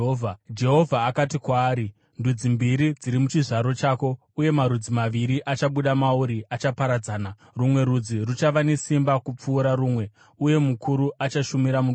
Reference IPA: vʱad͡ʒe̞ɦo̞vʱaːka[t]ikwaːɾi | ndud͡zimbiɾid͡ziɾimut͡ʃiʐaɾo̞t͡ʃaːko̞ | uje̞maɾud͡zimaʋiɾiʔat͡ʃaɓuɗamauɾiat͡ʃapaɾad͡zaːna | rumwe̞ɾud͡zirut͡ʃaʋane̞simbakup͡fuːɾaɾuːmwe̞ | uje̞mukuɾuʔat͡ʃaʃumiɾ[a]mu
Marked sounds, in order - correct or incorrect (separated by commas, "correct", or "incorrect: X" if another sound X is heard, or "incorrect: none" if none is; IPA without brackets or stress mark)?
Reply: correct, correct